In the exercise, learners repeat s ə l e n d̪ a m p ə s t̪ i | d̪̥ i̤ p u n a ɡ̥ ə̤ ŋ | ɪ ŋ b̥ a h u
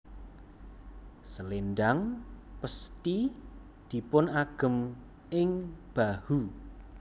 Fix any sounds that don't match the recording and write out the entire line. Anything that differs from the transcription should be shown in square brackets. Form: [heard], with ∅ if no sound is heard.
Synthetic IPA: s ə l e n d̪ a [ŋ] p ə s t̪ i | d̪̥ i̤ p [ʊ] n a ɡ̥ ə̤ [m] | ɪ ŋ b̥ a h u